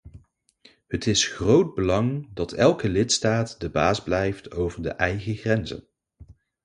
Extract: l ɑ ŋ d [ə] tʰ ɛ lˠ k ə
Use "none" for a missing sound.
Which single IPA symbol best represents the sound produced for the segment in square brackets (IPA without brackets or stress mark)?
ɑ